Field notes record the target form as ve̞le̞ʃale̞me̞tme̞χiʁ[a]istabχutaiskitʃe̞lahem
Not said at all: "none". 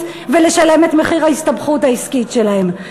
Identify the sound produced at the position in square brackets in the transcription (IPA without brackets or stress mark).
a